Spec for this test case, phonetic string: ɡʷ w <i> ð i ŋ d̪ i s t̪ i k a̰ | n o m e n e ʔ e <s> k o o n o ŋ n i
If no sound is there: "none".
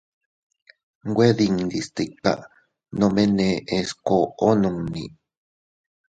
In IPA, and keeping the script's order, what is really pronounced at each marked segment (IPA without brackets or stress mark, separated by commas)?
e, s